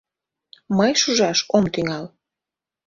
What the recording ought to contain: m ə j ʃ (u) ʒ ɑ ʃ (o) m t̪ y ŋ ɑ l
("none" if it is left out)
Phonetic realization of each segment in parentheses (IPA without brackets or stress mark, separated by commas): u, o